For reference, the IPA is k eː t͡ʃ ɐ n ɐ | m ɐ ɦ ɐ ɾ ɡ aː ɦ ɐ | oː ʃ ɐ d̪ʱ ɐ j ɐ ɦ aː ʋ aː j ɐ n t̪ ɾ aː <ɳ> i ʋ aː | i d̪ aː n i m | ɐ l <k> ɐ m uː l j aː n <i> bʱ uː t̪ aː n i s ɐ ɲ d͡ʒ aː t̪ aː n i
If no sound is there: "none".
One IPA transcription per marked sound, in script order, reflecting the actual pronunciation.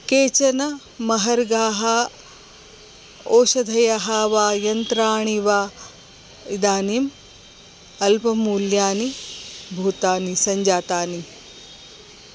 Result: ɳ, p, i

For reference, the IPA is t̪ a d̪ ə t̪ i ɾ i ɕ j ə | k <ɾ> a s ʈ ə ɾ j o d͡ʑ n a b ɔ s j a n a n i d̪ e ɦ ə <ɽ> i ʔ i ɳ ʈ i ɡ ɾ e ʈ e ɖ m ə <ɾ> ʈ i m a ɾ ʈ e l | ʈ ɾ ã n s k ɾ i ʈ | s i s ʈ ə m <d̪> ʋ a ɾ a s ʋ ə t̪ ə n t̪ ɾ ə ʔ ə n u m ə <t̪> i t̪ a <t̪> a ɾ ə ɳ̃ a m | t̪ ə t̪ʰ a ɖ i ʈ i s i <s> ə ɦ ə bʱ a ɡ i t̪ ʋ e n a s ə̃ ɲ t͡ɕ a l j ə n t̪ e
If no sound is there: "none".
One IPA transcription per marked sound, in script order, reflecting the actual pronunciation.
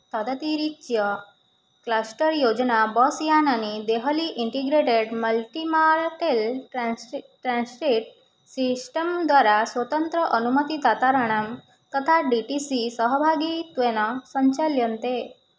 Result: l, l, l, d̪, t̪, t̪, s

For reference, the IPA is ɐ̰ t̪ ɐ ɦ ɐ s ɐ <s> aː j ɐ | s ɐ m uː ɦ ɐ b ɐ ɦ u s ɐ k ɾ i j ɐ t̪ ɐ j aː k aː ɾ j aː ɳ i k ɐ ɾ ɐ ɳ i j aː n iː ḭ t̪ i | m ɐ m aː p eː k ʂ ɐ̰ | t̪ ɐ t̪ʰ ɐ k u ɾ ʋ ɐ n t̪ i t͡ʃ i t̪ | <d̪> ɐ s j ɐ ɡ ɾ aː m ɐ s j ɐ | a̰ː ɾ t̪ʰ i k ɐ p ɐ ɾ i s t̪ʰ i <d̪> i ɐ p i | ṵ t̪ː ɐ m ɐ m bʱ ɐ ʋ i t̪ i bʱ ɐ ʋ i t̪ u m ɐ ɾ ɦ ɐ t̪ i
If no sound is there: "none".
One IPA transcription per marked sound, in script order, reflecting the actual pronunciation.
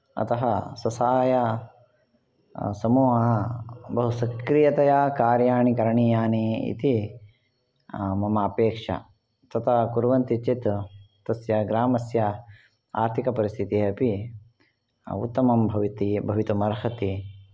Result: s, t̪, t̪

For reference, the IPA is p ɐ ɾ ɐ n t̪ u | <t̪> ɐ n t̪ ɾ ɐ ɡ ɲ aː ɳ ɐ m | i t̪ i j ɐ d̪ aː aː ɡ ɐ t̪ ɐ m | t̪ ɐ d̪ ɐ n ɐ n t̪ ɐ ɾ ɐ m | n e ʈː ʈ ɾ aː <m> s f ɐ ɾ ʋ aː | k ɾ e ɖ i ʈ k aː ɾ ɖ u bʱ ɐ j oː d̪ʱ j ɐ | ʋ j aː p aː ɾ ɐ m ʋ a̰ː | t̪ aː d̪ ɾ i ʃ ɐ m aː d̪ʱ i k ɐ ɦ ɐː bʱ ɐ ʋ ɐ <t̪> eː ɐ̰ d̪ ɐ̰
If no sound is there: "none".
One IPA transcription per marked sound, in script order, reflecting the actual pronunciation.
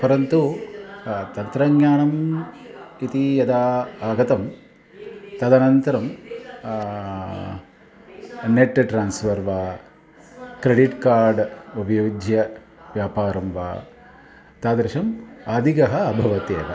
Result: t̪, n, t̪

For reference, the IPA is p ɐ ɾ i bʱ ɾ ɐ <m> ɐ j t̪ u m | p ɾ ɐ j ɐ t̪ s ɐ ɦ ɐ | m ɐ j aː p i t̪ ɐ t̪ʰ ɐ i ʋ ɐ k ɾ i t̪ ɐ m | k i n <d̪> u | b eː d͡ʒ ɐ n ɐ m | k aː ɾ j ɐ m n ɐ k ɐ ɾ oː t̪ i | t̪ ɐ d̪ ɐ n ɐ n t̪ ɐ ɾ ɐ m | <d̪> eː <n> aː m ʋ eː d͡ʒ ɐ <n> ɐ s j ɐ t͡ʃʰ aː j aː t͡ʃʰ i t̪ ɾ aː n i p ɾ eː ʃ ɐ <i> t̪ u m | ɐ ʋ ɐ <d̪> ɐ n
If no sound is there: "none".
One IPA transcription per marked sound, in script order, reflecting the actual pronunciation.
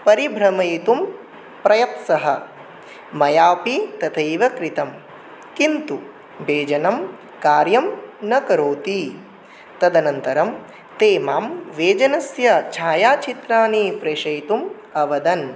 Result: m, t̪, t̪, m, n, j, d̪

